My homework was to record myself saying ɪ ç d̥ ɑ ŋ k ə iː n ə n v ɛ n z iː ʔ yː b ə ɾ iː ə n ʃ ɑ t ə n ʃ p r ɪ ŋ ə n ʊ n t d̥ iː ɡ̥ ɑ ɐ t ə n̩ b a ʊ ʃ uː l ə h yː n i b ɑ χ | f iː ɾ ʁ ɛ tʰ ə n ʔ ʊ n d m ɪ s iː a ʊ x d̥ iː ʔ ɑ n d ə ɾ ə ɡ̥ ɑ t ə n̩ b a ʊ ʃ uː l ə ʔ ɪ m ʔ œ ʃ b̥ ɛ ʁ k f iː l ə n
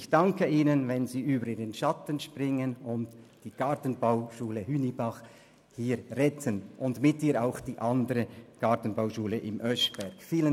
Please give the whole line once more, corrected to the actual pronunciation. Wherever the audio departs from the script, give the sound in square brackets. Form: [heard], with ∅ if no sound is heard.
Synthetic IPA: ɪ ç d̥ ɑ ŋ k ə iː n ə n v ɛ n z iː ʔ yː b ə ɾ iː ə n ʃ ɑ t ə n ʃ p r ɪ ŋ ə n ʊ n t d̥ iː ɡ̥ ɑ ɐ t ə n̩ b a ʊ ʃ uː l ə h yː n i b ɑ χ | [h] iː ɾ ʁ ɛ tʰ ə n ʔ ʊ n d m ɪ [t] iː a ʊ x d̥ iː ʔ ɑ n d ə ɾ ə ɡ̥ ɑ t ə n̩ b a ʊ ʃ uː l ə ʔ ɪ m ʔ œ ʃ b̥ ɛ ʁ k f iː l ə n